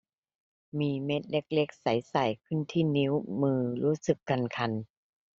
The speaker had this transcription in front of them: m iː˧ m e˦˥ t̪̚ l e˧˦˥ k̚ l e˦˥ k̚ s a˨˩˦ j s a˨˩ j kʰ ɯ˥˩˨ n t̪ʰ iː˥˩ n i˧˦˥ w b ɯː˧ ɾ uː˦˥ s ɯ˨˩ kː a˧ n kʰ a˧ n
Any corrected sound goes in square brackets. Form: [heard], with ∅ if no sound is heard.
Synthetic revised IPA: m iː˧ m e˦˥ t̪̚ l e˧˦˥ k̚ l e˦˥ k̚ s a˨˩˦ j s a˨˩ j kʰ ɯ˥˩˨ n t̪ʰ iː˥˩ n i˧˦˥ w [m] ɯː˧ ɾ uː˦˥ s ɯ˨˩ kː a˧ n kʰ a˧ n

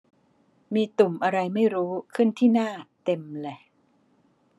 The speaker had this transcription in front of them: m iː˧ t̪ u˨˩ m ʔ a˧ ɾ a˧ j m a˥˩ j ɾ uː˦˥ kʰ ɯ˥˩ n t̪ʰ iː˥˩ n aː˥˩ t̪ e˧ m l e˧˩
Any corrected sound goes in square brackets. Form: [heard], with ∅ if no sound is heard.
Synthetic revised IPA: m iː˧ t̪ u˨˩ m ʔ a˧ ɾ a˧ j m a˥˩ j ɾ uː˦˥ kʰ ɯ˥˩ n t̪ʰ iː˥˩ n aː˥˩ t̪ e˧ m l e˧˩

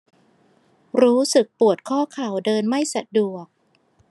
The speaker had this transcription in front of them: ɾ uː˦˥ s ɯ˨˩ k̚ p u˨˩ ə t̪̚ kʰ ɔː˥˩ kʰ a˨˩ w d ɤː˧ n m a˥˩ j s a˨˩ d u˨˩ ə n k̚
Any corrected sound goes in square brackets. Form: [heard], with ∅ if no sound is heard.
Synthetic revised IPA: ɾ uː˦˥ s ɯ˨˩ k̚ p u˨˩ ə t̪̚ kʰ ɔː˥˩ kʰ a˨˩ w d ɤː˧ n m a˥˩ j s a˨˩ d u˨˩ ə [∅] k̚

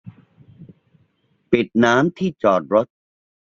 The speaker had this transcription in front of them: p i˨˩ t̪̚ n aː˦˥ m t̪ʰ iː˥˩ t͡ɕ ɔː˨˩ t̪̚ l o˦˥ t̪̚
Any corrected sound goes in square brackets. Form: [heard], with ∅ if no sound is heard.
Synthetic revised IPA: p i˨˩ t̪̚ n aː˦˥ m t̪ʰ iː˥˩ t͡ɕ ɔː˨˩ t̪̚ [ɾ] o˦˥ t̪̚

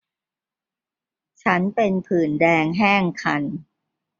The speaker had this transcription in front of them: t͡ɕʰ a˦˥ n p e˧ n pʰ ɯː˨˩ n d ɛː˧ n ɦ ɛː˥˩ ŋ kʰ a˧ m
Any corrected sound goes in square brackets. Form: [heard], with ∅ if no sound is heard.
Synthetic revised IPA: t͡ɕʰ a˦˥ n p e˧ n pʰ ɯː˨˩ n d ɛː˧ [ŋ] ɦ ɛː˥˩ ŋ kʰ a˧ [n]

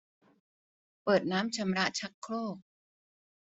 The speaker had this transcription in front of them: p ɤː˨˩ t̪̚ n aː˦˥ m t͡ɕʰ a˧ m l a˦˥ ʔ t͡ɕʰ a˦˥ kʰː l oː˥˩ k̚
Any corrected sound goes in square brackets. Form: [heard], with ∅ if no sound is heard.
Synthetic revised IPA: p ɤː˨˩ t̪̚ n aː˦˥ m t͡ɕʰ a˧ m [ɾ] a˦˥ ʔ t͡ɕʰ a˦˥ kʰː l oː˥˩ k̚

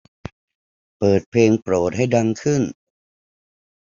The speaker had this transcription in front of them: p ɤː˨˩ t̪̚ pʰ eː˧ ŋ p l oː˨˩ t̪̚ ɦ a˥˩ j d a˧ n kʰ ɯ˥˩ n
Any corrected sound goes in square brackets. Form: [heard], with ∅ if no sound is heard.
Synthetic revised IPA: p ɤː˨˩ t̪̚ pʰ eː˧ ŋ p [ɾ] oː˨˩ t̪̚ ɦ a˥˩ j d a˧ [ŋ] kʰ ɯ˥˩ n

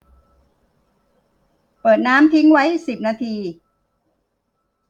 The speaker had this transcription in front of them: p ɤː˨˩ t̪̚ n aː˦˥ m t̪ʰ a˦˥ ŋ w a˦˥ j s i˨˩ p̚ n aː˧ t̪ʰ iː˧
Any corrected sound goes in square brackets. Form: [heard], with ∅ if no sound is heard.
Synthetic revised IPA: p ɤː˨˩ t̪̚ n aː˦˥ m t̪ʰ [i˦˥] ŋ w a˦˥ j s i˨˩ p̚ n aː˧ t̪ʰ iː˧

